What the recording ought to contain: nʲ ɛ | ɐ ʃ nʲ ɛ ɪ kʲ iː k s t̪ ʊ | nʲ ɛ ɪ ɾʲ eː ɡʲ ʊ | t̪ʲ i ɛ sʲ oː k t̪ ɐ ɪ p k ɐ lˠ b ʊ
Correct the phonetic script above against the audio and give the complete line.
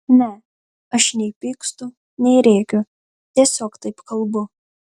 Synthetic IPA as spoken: nʲ ɛ | ɐ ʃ nʲ ɛ ɪ pʲ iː k s t̪ ʊ | nʲ ɛ ɪ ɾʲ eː kʲ ʊ | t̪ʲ i ɛ sʲ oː k t̪ ɐ ɪ p k ɐ lˠ b ʊ